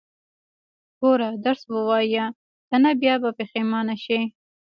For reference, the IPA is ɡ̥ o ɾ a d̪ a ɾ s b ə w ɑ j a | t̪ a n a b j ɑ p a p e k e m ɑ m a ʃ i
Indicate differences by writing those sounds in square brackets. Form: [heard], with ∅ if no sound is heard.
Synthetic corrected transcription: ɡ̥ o ɾ a d̪ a ɾ s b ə w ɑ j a | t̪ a n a b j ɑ [b] a p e [x] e m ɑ [n] a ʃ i